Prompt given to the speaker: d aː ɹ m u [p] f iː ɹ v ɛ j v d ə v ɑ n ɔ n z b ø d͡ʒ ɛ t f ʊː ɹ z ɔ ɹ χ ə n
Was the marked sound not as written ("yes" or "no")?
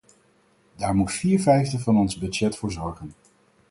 yes